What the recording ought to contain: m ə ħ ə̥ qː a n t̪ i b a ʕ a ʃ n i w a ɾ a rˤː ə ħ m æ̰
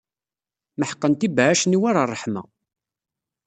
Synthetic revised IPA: m ə ħ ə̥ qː ə n t̪ i b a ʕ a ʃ n i w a ɾ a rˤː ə ħ m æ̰